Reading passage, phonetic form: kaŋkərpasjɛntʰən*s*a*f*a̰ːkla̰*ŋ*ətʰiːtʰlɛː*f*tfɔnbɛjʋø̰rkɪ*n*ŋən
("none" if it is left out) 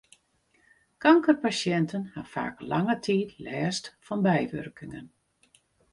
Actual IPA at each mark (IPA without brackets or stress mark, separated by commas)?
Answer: h, f, ŋ, s, none